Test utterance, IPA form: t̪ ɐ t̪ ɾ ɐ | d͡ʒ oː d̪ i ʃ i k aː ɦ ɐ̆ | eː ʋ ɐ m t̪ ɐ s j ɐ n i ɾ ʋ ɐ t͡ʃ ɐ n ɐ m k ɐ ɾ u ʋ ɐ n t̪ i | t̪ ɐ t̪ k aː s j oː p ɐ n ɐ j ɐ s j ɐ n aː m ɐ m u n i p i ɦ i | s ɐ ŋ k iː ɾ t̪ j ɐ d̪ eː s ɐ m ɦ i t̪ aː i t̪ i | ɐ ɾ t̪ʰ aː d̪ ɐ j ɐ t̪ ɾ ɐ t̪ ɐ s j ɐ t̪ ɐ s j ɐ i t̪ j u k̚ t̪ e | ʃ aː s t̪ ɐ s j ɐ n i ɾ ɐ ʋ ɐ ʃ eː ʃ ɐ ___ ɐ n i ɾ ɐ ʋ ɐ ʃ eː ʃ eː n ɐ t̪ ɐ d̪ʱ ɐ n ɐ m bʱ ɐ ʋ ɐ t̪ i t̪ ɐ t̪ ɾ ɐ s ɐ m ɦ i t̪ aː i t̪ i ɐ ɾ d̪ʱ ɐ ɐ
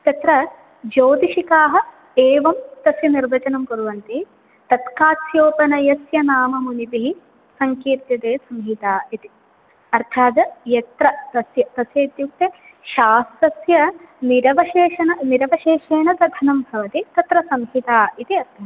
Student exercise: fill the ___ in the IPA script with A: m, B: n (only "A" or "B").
B